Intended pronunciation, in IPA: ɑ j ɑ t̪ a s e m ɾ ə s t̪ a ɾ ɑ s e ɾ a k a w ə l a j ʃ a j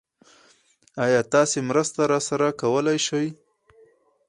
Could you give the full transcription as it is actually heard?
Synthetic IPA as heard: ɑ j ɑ t̪ ɑ s e m ɾ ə s t̪ a ɾ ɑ s a ɾ a k a w ə l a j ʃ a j